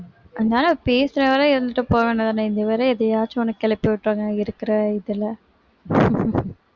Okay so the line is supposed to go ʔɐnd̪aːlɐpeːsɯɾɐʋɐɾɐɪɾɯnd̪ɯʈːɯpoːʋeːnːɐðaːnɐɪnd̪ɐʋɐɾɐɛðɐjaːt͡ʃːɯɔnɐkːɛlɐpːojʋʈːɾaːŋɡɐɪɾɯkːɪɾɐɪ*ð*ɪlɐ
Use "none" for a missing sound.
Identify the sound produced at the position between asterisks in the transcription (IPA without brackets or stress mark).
ð